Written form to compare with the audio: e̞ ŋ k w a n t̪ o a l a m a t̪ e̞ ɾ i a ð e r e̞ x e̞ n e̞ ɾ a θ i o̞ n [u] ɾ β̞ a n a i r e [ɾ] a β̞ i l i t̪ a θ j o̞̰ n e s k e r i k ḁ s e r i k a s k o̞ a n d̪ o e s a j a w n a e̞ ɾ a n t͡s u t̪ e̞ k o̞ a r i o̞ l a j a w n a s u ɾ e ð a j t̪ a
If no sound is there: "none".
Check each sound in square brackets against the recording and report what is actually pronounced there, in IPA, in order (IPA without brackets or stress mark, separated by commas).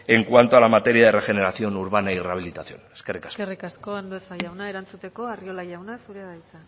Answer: u, none